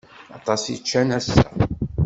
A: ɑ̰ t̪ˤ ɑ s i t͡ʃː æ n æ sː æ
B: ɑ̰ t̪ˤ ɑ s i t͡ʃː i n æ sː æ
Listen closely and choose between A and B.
A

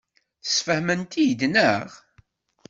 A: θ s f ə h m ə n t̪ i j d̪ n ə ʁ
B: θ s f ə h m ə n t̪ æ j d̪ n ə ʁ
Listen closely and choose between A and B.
A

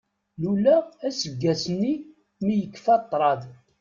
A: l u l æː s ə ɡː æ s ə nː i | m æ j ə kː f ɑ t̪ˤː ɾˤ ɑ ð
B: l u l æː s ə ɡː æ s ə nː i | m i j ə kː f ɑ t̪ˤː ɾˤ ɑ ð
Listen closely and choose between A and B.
B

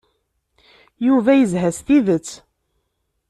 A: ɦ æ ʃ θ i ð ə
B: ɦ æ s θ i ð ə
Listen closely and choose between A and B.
B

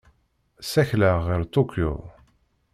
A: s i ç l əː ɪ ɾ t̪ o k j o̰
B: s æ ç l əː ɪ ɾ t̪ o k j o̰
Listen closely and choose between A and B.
B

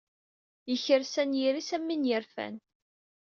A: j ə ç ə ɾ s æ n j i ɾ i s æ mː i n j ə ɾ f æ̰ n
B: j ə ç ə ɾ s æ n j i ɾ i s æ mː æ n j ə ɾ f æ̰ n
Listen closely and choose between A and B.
A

